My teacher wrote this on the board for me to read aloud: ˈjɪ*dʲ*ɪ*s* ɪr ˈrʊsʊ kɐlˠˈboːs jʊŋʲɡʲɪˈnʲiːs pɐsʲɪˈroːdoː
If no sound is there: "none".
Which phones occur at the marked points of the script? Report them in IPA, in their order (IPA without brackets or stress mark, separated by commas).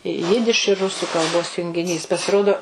dʲ, ʃ